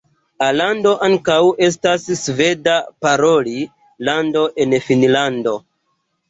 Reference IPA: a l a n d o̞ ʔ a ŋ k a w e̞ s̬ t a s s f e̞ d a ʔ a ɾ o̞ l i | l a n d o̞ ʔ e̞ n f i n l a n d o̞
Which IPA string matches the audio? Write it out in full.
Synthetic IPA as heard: a l a n d o̞ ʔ a ŋ k a w e̞ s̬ t a s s v e̞ d a p a ɾ o̞ l i | l a n d o̞ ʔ e̞ n f i n l a n d o̞